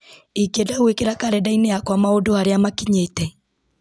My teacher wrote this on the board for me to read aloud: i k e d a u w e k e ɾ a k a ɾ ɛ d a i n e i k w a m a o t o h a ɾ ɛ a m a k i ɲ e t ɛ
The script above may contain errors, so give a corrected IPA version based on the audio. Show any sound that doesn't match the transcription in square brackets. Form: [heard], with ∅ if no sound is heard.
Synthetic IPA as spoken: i k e d a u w e k e ɾ a k a ɾ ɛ d a i n e [a] k w a m a o [d] o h a ɾ [e] a m a k i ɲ e t ɛ